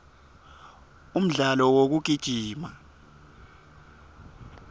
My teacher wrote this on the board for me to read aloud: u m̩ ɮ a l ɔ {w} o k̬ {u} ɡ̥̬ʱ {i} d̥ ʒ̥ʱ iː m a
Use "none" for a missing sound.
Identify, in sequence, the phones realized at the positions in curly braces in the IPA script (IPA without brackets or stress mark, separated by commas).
w, u, i